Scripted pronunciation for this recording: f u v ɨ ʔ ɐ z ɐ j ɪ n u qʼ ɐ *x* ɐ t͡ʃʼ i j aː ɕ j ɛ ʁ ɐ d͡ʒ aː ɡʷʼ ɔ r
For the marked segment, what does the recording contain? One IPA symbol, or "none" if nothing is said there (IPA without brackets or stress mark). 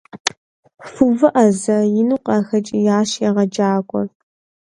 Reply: x